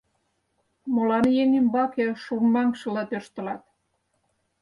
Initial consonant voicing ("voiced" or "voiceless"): voiced